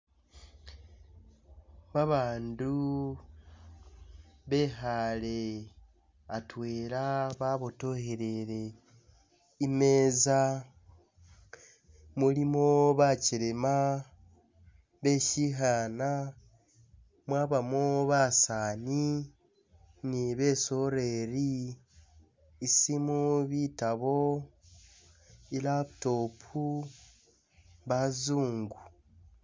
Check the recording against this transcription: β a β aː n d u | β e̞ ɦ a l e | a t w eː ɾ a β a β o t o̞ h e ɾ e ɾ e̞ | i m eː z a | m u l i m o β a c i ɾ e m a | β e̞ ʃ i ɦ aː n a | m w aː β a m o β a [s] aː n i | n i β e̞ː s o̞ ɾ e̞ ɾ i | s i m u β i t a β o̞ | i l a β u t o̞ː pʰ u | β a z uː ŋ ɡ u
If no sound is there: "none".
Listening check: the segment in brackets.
s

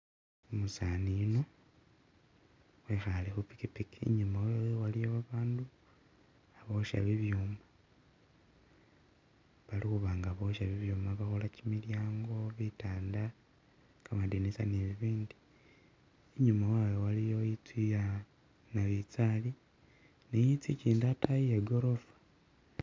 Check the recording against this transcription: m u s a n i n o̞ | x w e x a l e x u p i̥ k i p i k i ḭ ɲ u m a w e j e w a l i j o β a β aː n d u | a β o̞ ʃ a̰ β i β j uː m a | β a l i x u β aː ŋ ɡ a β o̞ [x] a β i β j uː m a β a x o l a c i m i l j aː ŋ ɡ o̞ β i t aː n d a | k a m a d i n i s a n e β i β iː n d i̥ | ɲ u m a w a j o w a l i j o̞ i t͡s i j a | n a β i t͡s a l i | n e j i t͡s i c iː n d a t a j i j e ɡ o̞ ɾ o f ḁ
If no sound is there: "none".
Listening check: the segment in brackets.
ʃ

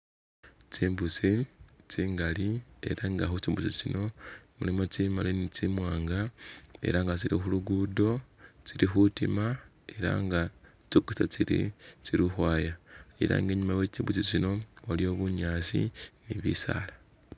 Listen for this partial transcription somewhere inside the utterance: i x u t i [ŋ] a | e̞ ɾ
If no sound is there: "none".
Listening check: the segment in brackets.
m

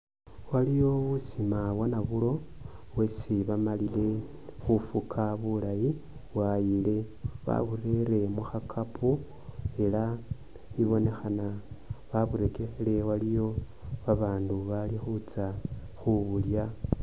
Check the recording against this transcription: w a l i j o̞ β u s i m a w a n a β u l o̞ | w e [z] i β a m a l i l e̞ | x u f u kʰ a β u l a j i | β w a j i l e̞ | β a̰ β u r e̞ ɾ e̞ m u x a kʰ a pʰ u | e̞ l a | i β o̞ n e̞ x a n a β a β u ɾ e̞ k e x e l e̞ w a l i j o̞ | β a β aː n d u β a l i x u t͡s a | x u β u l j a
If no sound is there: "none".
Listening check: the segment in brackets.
s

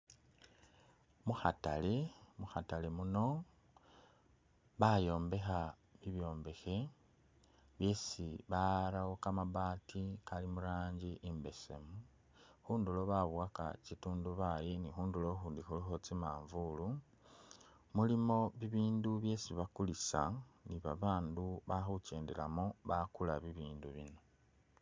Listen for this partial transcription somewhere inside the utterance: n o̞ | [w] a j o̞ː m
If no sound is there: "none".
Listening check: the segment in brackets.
β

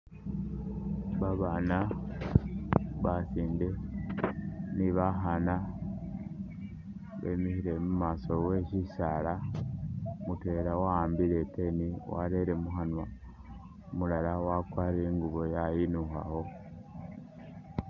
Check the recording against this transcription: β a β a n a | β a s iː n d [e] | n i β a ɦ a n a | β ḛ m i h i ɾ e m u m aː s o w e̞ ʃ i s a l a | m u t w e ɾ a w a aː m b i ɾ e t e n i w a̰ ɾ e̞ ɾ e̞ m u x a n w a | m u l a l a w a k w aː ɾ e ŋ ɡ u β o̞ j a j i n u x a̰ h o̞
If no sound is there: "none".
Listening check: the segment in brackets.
e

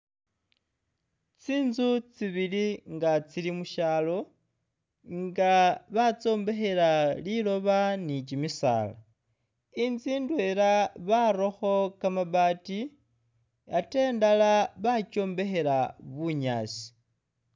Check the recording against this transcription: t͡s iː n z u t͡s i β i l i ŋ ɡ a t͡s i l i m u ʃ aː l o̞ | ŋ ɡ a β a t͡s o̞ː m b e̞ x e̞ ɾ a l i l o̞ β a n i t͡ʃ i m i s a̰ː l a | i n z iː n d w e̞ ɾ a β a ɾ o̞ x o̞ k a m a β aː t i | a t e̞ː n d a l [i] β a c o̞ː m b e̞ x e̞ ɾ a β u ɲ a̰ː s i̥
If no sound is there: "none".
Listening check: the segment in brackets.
a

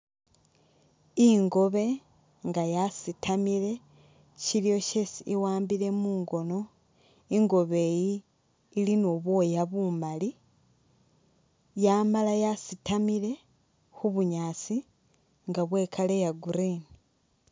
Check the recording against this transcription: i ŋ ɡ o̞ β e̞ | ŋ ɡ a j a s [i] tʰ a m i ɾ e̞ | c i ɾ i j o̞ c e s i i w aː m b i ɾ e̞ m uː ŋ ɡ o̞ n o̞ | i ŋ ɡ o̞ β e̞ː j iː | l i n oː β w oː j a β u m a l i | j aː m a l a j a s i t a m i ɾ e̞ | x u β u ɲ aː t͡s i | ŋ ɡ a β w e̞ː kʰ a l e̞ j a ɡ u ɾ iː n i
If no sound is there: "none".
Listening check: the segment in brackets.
i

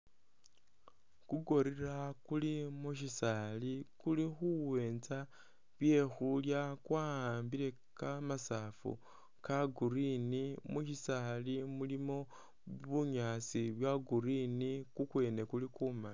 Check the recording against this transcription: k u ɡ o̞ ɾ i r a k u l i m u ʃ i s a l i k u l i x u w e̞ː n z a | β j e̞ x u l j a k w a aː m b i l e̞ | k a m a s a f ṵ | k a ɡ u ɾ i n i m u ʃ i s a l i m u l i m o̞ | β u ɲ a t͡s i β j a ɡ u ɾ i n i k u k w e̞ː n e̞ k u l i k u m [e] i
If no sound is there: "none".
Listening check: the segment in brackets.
a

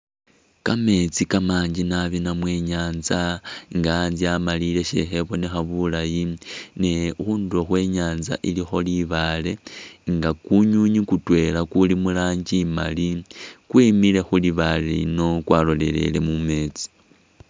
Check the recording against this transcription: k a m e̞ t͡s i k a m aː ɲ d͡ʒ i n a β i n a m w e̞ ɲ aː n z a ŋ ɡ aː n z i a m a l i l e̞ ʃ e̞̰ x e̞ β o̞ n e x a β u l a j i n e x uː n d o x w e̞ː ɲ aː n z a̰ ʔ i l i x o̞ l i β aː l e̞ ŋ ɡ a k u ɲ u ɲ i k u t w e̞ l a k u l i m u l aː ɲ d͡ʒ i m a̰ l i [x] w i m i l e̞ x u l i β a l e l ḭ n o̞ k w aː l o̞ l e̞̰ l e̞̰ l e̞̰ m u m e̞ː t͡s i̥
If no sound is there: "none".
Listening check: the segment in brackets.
k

